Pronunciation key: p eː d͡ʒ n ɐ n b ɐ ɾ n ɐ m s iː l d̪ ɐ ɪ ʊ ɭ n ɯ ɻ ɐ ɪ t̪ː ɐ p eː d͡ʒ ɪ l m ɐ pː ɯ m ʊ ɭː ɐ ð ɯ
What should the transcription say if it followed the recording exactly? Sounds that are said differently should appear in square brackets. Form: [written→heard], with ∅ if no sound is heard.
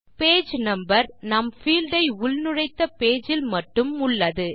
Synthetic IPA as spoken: p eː d͡ʒ n ɐ [n→m] b ɐ ɾ n ɐ m [s→f] iː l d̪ ɐ ɪ ʊ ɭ n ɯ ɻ ɐ ɪ t̪ː ɐ p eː d͡ʒ ɪ l m ɐ [pː→ʈː] ɯ m ʊ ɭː ɐ ð ɯ